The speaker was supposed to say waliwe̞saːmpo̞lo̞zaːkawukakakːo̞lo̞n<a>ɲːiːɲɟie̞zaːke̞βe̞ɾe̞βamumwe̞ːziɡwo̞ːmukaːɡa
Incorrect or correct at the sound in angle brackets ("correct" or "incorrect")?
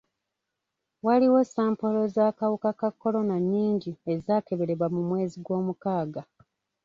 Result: correct